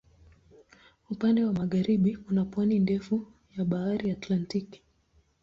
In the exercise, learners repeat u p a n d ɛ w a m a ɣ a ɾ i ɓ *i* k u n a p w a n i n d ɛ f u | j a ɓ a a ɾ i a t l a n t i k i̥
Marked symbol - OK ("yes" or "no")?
yes